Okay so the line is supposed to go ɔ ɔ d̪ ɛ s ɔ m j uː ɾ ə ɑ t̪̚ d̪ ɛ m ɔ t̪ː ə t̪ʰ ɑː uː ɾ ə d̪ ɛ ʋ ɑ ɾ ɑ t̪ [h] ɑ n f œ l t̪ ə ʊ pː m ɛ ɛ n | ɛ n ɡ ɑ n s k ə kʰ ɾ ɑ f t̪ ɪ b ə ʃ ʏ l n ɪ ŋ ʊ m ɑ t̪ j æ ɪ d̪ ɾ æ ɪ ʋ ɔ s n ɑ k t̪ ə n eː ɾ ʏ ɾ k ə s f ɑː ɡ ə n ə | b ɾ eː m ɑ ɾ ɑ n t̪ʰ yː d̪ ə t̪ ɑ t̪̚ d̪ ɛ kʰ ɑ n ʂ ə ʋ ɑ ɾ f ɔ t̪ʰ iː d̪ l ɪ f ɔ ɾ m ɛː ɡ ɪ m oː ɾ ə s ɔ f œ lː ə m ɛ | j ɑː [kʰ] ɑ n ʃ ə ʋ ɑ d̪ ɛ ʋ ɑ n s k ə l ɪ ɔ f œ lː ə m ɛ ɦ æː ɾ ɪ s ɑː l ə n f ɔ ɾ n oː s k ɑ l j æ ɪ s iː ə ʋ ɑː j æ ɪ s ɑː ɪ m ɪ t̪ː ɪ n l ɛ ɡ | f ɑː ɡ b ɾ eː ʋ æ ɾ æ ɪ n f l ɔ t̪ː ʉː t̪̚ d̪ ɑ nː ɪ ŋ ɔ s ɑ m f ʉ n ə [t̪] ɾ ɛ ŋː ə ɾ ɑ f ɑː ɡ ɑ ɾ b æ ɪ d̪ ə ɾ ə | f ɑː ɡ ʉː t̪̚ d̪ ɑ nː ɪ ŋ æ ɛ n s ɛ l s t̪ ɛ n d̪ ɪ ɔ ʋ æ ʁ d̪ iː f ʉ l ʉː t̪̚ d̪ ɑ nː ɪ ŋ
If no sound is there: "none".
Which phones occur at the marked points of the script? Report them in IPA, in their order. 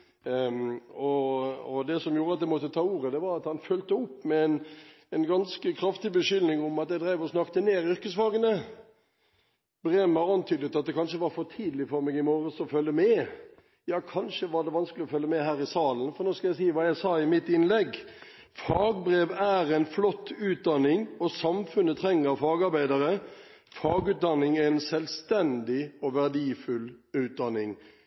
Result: h, kʰ, t̪ʰ

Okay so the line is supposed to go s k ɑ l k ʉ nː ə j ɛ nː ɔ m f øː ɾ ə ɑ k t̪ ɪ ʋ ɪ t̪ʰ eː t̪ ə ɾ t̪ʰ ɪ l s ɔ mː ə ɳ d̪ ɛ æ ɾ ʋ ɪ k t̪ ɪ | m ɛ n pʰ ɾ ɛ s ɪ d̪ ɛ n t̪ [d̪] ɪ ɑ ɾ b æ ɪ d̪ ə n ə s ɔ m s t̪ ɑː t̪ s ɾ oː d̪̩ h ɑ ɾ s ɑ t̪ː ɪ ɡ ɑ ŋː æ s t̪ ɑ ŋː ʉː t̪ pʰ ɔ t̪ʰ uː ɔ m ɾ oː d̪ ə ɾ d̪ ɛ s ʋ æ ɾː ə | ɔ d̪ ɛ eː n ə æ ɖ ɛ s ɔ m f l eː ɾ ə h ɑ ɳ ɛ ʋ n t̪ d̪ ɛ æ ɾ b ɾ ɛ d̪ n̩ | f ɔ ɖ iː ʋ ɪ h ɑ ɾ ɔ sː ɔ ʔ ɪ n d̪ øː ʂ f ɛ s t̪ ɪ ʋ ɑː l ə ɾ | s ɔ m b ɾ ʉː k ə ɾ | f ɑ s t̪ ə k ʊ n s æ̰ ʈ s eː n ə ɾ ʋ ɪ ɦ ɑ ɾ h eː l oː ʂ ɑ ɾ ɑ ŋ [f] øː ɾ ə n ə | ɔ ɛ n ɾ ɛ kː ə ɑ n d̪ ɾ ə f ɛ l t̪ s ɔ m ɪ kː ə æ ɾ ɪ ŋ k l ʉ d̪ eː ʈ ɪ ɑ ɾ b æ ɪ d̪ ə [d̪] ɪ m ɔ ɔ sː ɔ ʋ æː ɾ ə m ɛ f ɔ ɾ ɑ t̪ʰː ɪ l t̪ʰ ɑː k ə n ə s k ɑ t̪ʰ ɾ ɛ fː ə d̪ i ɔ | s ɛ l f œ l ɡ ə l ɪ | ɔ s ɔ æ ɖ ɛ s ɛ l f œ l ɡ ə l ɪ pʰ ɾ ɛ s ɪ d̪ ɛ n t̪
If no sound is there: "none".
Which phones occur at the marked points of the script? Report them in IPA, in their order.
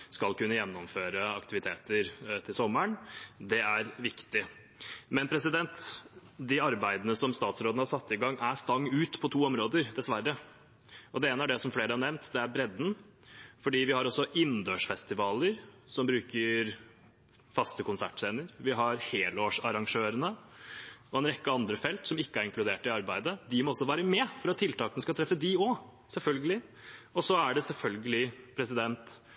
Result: d̪, ʂ, d̪

